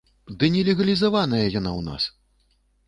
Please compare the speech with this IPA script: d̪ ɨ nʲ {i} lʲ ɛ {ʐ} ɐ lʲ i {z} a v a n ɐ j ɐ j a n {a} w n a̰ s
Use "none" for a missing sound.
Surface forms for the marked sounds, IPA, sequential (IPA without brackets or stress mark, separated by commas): ɛ, ɣ, z, a